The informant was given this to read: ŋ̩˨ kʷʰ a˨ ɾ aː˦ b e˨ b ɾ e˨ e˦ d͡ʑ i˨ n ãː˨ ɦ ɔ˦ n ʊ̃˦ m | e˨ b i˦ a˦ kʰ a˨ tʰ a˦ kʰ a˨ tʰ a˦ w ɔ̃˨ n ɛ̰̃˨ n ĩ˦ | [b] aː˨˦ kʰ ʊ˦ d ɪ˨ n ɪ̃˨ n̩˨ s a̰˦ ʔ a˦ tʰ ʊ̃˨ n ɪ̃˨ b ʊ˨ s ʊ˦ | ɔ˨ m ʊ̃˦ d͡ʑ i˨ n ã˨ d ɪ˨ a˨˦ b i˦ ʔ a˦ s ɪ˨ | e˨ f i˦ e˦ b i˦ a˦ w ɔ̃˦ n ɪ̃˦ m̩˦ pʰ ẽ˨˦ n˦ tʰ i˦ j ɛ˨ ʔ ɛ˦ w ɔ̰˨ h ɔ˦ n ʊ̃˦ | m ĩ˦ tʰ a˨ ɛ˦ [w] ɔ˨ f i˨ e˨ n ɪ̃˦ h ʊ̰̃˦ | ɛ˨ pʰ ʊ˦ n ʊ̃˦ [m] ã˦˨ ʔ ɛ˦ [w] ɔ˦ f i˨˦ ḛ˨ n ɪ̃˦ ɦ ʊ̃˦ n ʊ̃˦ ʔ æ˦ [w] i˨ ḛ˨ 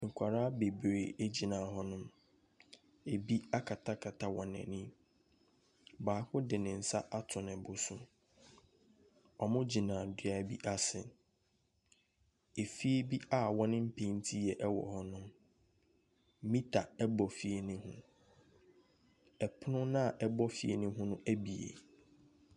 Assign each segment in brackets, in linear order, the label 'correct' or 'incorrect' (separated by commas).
correct, incorrect, incorrect, incorrect, incorrect